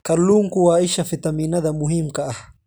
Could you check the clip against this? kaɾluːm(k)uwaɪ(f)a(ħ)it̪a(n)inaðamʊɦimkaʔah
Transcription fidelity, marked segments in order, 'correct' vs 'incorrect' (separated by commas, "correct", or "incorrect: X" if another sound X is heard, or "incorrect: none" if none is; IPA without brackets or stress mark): correct, incorrect: ʃ, incorrect: f, incorrect: m